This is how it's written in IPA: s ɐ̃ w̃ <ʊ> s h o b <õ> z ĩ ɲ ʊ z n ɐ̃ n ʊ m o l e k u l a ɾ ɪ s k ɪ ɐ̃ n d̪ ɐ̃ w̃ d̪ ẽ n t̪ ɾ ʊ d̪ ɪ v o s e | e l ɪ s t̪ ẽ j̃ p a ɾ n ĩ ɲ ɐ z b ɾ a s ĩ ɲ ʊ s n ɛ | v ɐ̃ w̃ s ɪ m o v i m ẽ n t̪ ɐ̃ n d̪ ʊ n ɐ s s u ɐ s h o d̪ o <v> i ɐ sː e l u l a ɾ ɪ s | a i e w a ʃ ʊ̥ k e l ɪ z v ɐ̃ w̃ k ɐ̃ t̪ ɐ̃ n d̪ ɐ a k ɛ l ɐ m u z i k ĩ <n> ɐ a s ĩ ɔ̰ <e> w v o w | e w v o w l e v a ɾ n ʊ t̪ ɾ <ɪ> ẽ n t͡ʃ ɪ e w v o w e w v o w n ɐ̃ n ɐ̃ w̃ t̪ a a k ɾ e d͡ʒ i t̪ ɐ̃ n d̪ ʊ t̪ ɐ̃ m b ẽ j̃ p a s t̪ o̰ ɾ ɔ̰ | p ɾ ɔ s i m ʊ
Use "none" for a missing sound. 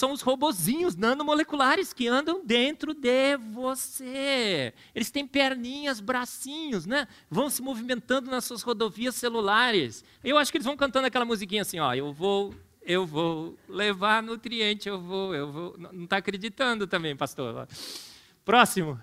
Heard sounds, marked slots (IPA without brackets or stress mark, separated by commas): ʊ, o, v, ɲ, e, i